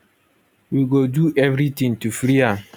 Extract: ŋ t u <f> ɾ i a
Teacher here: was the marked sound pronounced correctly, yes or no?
yes